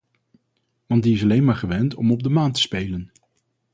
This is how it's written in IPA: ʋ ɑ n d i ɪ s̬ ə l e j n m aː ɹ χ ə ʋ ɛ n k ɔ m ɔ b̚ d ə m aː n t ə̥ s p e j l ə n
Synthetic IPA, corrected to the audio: ʋ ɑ n d i ɪ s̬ ɑ l e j n m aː ɹ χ ə ʋ ɛ n t ɔ m ɔ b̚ d ə m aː n t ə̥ s p e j l ə n